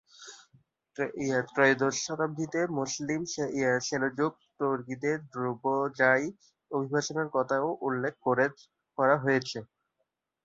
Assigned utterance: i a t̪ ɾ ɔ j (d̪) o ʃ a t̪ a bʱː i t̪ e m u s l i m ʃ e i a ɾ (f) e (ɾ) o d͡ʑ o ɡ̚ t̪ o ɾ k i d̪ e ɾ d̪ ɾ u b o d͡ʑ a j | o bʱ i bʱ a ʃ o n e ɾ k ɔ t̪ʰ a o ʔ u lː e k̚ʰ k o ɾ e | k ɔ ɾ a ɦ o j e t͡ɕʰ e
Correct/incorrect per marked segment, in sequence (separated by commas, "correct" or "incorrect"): correct, incorrect, incorrect